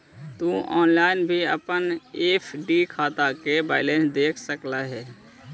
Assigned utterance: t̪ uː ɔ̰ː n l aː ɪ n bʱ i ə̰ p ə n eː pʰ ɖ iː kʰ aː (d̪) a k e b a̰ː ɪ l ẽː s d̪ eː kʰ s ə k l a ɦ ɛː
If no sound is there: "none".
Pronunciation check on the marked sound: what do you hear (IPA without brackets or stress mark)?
t̪